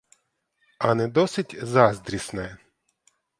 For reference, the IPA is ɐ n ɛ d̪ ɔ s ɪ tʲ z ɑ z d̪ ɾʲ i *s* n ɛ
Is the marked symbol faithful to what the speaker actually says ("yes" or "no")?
yes